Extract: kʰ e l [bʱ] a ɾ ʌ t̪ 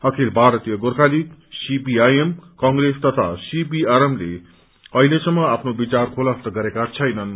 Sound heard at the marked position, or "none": bʱ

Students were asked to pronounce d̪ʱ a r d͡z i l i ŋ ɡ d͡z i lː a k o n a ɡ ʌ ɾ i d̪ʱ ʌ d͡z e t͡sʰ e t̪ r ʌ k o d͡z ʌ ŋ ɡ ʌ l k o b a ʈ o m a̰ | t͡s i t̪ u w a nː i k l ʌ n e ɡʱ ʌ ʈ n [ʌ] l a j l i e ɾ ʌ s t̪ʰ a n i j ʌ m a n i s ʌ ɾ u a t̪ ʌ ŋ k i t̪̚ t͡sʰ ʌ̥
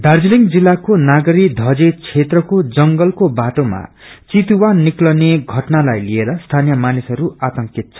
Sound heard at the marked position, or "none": a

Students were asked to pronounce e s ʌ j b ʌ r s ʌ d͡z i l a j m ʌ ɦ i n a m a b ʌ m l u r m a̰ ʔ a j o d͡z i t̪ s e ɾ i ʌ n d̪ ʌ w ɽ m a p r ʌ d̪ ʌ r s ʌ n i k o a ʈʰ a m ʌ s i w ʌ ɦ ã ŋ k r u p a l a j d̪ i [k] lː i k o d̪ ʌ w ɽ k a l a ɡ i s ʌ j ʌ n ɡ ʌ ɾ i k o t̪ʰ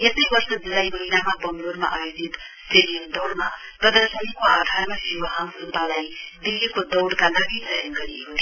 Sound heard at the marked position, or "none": none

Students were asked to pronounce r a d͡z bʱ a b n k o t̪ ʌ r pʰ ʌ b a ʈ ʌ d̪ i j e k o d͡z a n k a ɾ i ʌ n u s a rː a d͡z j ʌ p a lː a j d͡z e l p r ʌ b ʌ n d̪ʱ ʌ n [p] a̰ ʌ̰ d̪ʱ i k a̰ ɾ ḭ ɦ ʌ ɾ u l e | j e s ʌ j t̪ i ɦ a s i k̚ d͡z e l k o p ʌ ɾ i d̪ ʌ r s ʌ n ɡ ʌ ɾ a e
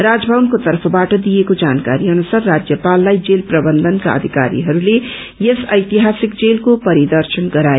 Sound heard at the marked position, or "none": k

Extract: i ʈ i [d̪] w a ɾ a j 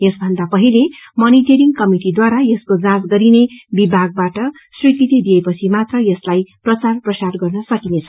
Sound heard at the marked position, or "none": d̪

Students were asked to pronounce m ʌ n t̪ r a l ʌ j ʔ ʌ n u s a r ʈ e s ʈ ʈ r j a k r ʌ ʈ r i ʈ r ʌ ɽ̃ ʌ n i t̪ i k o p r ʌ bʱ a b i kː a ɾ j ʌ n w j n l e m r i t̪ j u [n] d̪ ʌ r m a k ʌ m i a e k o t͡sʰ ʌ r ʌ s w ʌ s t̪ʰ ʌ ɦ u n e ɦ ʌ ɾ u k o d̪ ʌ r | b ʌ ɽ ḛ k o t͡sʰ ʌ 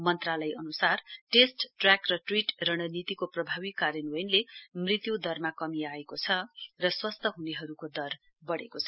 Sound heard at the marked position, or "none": none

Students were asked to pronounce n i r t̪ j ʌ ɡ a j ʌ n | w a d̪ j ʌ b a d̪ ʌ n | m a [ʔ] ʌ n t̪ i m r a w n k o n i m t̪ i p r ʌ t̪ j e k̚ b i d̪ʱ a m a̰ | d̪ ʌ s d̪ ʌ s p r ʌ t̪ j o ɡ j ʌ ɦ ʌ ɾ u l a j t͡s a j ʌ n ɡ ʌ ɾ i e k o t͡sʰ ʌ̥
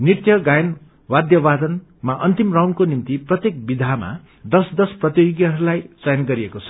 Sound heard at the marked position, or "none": ʔ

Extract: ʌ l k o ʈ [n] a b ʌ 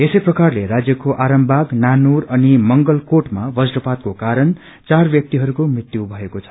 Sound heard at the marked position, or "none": m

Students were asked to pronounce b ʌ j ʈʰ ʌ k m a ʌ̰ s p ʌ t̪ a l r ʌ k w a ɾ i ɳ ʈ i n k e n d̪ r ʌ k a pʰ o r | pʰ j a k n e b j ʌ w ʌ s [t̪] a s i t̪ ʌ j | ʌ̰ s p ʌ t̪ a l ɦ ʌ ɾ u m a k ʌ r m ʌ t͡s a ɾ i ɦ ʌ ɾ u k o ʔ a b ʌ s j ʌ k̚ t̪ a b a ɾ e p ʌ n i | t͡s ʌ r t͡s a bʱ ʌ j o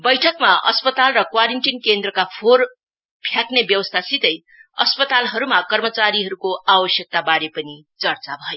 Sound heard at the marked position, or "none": t̪ʰ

